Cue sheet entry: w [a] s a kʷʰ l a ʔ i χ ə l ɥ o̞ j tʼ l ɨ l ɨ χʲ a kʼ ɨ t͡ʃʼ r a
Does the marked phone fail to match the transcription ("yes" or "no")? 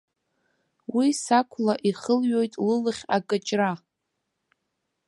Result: yes